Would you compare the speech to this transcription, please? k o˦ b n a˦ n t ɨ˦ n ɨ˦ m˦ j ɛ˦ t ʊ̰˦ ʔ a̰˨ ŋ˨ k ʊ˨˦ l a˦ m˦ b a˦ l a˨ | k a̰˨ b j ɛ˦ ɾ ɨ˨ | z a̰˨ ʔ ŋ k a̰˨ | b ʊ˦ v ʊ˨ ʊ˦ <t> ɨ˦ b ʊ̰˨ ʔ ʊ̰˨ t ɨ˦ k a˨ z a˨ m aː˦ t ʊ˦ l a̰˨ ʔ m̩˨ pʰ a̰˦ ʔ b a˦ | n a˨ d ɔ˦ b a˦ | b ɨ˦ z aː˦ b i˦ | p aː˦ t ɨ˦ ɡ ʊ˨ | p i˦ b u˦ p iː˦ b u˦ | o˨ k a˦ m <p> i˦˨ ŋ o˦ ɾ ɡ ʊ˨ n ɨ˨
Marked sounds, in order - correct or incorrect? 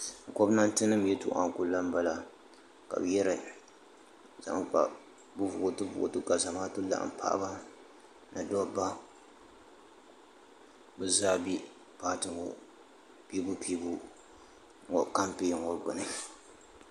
correct, correct

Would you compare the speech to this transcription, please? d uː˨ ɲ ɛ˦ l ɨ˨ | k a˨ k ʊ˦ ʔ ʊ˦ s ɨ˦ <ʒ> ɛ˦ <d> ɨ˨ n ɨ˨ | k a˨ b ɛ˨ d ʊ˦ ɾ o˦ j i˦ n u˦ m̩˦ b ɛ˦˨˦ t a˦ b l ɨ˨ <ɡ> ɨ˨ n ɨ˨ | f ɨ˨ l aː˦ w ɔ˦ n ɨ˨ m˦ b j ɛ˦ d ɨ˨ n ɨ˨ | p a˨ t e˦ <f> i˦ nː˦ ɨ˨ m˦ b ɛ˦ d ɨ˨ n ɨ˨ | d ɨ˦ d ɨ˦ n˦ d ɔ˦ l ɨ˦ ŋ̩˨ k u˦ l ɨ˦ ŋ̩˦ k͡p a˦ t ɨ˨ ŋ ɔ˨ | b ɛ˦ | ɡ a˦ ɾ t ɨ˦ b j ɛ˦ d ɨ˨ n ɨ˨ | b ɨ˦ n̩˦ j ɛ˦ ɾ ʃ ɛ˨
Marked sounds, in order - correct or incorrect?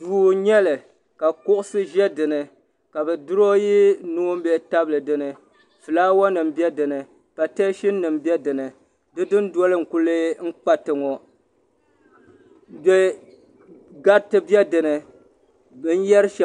correct, correct, incorrect: d, incorrect: ʃ

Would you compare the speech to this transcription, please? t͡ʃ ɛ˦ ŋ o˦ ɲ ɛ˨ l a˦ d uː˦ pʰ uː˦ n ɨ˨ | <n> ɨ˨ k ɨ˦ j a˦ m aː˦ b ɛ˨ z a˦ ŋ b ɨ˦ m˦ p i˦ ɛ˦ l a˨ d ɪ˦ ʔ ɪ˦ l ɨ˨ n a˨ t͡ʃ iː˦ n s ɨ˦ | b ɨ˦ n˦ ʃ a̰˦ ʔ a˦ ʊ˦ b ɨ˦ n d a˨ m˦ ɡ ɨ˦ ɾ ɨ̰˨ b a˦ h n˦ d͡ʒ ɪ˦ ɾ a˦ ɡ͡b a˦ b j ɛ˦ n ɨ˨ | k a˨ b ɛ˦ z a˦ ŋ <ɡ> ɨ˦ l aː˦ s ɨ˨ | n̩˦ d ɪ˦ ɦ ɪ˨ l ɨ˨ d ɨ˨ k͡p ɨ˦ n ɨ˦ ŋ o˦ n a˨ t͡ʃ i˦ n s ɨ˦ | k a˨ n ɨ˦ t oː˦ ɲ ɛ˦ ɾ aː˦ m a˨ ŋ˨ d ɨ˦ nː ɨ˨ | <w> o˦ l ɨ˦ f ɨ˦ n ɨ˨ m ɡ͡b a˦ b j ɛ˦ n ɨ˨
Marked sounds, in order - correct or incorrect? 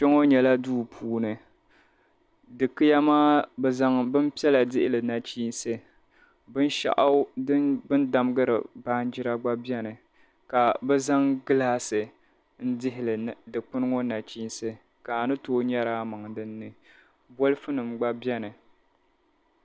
incorrect: d, correct, incorrect: b

